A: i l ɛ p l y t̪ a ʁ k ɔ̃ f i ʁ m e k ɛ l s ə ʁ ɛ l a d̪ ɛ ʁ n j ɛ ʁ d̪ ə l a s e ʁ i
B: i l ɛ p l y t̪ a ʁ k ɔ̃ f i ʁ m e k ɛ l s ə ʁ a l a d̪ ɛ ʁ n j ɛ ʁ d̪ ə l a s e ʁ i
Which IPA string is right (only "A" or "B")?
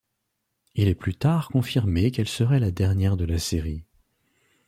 A